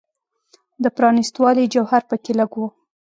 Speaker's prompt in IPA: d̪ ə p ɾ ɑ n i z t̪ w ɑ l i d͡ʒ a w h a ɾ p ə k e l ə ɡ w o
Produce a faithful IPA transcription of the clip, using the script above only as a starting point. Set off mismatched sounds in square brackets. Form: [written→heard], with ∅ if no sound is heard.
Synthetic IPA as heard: d̪ ə p ɾ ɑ n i [z→s] t̪ w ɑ l i d͡ʒ a w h a ɾ p ə k e l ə ɡ w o

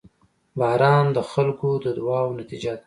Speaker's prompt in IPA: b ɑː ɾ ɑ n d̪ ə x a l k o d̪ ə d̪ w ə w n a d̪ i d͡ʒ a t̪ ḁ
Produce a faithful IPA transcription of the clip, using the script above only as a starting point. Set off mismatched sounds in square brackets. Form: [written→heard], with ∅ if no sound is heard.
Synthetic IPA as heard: b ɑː ɾ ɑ n d̪ ə x a l k o d̪ ə d̪ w [ə→ɑ] w n a [d̪→t̪] i d͡ʒ a [t̪→d̪] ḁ

